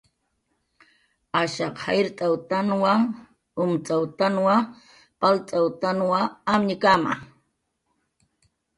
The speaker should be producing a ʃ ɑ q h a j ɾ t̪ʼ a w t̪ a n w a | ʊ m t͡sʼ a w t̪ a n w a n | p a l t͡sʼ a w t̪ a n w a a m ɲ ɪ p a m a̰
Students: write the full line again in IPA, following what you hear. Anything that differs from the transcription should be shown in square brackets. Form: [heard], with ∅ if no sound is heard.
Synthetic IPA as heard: a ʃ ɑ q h a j ɾ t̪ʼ a w t̪ a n w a | ʊ m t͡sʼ a w t̪ a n w a [∅] | p a l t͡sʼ a w t̪ a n w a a m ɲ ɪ [k] a m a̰